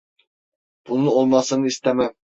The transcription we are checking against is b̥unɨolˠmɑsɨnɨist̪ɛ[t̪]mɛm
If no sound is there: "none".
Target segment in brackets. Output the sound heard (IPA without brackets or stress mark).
none